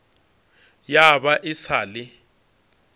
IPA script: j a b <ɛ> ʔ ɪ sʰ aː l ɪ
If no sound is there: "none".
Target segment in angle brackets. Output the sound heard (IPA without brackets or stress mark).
a